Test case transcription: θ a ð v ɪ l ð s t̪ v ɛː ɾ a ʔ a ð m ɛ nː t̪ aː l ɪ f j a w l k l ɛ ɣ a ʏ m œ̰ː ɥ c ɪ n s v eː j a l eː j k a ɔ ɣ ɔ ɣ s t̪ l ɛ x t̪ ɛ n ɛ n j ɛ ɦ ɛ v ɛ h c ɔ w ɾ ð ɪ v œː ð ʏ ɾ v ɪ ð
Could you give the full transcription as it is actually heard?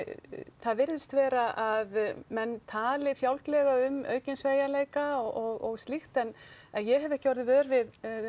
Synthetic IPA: θ a ð v ɪ ɾ ð s t̪ v ɛː ɾ a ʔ a ð m ɛ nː t̪ʰ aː l ɪ f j a w l k l ɛ ɣ a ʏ m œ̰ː ɥ c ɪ n s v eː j a l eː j k a ɔ ɣ ɔ ɣ s t̪ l i x t̪ ɛ n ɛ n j ɛ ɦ ɛ v ɛ h c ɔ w ɾ ð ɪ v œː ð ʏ ɾ v ɪ ð